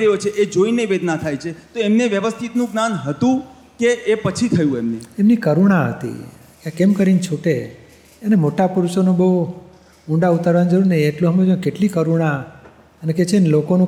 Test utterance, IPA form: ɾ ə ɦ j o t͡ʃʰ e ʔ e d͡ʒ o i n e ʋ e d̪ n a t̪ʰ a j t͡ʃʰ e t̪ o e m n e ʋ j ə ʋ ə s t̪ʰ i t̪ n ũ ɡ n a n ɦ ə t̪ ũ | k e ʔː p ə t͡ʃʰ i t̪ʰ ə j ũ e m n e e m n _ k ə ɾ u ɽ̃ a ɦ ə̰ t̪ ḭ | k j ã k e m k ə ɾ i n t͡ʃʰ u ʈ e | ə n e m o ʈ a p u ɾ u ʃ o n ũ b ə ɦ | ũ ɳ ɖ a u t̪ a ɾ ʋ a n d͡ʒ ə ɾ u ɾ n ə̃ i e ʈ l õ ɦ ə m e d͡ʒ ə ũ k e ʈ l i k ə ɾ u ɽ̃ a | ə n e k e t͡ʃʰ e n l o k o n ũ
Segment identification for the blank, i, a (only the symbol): i